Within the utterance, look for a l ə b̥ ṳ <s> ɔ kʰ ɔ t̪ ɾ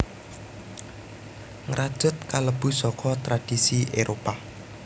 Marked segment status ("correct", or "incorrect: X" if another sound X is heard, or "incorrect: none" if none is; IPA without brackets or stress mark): correct